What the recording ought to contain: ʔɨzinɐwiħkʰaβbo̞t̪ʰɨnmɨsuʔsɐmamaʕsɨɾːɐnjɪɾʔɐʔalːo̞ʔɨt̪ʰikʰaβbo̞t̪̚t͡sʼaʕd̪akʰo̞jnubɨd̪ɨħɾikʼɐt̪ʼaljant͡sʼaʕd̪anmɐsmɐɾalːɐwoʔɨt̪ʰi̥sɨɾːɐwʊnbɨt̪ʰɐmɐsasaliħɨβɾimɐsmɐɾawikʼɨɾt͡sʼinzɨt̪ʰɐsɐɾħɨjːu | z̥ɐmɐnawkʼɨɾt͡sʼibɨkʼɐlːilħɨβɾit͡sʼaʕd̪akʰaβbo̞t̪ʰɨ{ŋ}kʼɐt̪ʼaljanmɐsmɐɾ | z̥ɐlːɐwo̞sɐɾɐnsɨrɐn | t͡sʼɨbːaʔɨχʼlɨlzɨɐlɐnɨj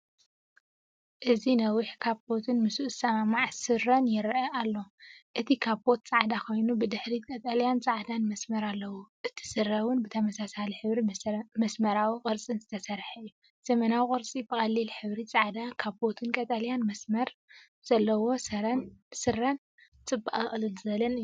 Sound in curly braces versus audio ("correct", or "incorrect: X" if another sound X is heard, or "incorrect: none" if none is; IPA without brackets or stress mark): incorrect: n